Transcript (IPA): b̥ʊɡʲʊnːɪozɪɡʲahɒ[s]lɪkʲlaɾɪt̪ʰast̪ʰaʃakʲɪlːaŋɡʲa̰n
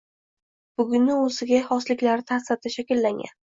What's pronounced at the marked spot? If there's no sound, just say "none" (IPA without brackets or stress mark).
s